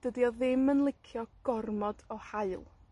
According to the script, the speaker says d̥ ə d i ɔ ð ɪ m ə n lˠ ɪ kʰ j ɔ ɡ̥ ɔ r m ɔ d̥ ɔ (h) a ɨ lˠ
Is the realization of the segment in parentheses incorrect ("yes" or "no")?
no